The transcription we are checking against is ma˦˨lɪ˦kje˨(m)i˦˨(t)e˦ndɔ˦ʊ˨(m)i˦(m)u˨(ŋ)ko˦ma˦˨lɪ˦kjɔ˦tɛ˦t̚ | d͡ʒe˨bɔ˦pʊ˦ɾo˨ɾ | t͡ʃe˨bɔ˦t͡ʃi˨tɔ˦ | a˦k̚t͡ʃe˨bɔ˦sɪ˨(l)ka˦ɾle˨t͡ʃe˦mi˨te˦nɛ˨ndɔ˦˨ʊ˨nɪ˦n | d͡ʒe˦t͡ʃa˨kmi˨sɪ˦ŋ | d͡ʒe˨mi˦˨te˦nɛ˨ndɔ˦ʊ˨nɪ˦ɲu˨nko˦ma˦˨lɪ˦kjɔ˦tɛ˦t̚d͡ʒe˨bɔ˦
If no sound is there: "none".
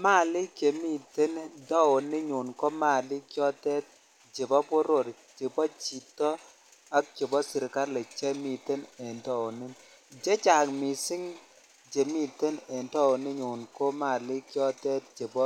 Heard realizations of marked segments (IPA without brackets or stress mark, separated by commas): m, t, n, ɲ, n, ɾ